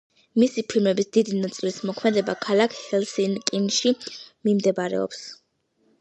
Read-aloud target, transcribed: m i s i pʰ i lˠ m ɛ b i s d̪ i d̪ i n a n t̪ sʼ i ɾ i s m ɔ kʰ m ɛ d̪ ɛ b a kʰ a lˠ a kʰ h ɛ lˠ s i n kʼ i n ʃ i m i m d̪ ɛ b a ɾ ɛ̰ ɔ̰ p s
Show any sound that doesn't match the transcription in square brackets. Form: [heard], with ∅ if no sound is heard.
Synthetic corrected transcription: m i s i pʰ i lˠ m ɛ b i s d̪ i d̪ i n a [∅] t̪ sʼ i [l] i s m ɔ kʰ m ɛ d̪ ɛ b a kʰ a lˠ a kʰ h ɛ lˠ s i n kʼ i n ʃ i m i m d̪ ɛ b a ɾ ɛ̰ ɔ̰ p s